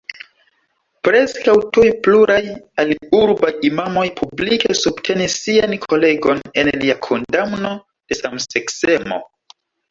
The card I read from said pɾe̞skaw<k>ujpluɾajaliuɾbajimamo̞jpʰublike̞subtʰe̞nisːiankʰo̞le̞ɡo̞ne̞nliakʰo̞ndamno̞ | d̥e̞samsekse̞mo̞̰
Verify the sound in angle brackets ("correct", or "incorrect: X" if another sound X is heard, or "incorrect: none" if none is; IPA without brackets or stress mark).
incorrect: t